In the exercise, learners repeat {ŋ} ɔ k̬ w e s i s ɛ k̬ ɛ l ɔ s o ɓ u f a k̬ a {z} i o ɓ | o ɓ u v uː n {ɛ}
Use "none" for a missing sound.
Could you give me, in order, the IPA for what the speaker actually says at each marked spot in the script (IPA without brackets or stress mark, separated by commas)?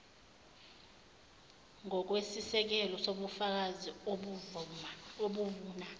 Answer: ŋ, z, a